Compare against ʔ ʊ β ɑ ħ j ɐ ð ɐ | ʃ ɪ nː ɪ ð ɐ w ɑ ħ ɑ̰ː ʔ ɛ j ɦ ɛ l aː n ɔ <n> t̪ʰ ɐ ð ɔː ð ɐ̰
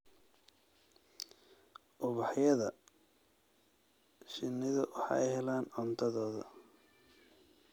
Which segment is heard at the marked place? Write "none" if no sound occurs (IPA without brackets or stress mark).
n